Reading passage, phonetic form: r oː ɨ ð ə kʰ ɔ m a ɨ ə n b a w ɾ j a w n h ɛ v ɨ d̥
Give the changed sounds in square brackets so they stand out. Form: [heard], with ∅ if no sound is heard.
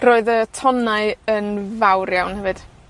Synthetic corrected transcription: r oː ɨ ð ə [tʰ] ɔ [n] a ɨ ə n [v] a w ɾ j a w n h ɛ v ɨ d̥